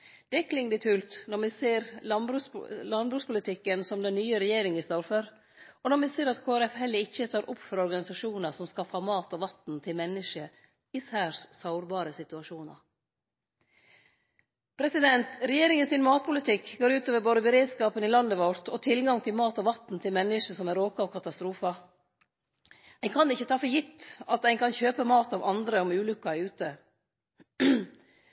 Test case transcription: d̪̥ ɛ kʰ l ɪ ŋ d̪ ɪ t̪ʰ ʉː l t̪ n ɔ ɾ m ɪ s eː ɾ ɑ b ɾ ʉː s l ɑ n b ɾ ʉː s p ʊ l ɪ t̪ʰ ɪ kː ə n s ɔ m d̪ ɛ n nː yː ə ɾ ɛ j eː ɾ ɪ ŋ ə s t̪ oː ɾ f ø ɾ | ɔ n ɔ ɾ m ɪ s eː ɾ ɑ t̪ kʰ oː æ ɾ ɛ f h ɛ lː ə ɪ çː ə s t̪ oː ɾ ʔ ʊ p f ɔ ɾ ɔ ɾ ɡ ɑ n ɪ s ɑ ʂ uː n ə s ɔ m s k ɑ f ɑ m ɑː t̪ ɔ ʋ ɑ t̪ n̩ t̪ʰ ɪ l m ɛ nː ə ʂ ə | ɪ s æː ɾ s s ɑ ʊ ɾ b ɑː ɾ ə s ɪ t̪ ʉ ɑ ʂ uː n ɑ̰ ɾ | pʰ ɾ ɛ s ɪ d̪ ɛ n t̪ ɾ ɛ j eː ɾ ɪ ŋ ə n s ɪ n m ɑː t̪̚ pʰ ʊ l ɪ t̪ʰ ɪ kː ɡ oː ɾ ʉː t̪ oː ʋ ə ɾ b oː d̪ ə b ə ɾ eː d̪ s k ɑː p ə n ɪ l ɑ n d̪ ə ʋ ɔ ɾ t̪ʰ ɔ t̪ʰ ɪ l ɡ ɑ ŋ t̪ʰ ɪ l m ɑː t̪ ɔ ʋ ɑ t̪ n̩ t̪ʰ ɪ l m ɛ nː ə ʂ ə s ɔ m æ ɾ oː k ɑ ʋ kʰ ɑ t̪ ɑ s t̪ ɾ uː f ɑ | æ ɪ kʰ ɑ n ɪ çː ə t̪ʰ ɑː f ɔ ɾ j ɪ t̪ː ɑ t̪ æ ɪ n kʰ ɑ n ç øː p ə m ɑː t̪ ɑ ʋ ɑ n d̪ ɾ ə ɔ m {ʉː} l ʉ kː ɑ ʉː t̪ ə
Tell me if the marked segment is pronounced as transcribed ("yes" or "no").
yes